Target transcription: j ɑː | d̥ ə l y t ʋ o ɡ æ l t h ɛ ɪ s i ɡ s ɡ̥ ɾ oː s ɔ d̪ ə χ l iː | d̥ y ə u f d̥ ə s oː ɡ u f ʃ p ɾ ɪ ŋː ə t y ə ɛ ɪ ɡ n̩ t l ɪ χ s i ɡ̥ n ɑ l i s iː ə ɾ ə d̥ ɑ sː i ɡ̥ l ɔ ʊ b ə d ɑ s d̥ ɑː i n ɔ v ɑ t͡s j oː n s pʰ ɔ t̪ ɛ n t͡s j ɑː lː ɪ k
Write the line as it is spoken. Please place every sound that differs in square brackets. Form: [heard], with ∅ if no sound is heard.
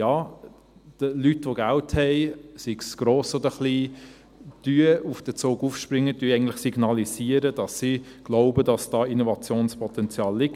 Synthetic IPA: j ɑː | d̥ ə l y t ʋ o ɡ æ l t h ɛ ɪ s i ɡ s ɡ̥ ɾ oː s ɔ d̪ ə χ l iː | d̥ y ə u f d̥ ə [t͡s] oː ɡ u f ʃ p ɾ ɪ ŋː ə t y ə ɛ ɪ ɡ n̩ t l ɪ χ s i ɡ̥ n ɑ l i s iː ə ɾ ə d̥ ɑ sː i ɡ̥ l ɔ ʊ b ə d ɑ s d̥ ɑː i n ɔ v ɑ t͡s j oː n s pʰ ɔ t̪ ɛ n t͡s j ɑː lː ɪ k